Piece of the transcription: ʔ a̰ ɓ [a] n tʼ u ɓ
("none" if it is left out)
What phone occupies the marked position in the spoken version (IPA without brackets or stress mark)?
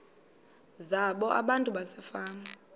a